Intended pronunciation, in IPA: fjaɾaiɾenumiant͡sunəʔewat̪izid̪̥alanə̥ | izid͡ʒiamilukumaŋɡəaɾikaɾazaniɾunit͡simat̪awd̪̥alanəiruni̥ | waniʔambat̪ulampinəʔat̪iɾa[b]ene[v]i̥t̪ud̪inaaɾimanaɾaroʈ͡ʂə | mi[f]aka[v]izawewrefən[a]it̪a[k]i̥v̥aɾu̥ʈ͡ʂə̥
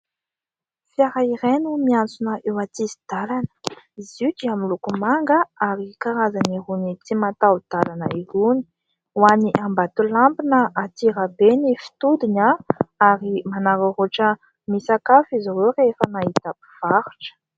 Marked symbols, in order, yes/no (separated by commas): yes, no, no, no, yes, no